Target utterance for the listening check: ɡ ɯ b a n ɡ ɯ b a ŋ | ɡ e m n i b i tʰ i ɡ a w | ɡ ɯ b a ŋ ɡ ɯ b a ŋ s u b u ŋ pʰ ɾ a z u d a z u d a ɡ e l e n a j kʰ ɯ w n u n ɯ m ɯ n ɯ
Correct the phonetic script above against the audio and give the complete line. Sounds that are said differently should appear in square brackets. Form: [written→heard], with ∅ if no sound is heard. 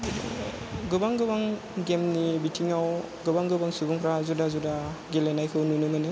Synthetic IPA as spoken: ɡ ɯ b a [n→ŋ] ɡ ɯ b a ŋ | ɡ e m n i b i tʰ i [ɡ→ŋ] a w | ɡ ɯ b a ŋ ɡ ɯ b a ŋ s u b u ŋ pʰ ɾ a z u d a z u d a ɡ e l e n a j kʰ ɯ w n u n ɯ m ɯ n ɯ